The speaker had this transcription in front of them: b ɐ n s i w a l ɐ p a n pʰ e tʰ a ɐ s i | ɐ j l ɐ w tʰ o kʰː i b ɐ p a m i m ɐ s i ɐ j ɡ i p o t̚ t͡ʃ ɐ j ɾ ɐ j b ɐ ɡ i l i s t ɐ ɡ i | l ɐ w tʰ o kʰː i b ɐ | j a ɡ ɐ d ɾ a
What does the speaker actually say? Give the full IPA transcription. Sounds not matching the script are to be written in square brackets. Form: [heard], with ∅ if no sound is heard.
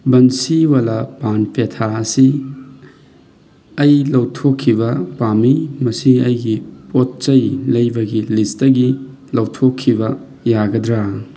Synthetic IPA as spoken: b ɐ n s i w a l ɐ p a n pʰ e tʰ a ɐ s i | ɐ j l ɐ w tʰ o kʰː i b ɐ p a m i m ɐ s i ɐ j ɡ i p o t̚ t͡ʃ ɐ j [l] ɐ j b ɐ ɡ i l i s t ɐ ɡ i | l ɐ w tʰ o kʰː i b ɐ | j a ɡ ɐ d ɾ a